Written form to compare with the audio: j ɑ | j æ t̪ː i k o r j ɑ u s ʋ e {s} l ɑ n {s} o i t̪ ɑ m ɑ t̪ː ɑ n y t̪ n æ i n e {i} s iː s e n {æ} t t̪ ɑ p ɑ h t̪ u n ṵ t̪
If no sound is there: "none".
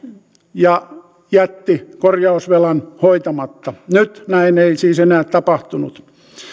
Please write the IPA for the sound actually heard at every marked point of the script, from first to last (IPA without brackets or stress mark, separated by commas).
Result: none, h, i, æː